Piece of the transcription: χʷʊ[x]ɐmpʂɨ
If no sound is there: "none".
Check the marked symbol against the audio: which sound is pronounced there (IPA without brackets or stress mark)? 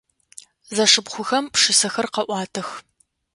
x